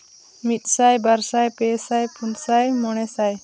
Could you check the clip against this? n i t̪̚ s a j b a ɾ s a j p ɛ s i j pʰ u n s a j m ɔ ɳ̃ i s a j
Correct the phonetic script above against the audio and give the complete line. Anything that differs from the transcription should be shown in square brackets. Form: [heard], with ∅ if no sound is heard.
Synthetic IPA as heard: [m] i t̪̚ s a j b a ɾ s a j p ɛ s [a] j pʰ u n s a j m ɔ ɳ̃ [ɛ] s a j